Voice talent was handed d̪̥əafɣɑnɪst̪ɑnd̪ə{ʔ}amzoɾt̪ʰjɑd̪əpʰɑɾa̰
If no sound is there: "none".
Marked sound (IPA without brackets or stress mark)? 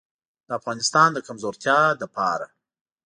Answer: k